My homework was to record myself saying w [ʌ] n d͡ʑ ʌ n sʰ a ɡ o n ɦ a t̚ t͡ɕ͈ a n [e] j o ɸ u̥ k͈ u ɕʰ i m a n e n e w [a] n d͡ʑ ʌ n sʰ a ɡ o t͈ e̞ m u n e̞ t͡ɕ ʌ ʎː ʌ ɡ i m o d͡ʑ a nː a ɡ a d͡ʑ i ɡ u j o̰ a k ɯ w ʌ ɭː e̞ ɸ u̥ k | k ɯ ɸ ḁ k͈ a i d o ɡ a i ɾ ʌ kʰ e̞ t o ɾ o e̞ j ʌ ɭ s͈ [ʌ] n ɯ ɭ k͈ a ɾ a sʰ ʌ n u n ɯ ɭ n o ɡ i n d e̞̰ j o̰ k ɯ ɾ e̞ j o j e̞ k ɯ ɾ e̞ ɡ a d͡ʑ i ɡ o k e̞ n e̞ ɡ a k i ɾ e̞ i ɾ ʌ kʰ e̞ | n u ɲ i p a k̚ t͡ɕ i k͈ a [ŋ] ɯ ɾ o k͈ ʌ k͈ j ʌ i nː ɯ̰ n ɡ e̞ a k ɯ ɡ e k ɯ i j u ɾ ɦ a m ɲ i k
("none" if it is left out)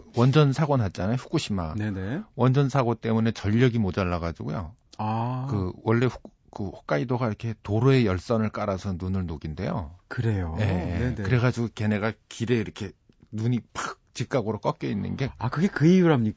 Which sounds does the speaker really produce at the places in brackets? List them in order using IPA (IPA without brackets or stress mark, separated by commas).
ʌ, a, ʌ, ʌ, ɡ